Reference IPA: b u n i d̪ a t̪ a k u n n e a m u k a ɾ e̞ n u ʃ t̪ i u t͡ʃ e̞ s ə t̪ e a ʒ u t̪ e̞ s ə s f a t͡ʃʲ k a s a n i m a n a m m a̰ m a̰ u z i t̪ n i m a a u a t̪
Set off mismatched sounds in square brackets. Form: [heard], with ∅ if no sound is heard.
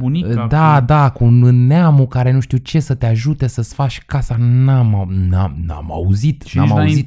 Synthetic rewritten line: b u n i d̪ a [d̪] a k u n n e a m u k a ɾ e̞ n u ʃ t̪ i u t͡ʃ e̞ s ə t̪ e a ʒ u t̪ e̞ s ə s f a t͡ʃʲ k a s a n [a] m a n a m [n] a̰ m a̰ u z i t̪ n [a] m a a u [i] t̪